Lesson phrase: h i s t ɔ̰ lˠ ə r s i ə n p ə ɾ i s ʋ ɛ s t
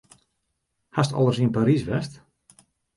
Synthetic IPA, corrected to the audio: h a s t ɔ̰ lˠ ə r s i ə n p a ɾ i s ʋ ɛ s t